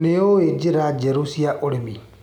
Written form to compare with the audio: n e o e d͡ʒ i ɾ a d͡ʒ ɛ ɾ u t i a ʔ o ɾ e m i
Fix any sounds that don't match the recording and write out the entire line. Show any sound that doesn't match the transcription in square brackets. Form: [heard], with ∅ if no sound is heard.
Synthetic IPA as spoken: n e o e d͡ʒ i ɾ a d͡ʒ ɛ ɾ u [s] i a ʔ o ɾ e m i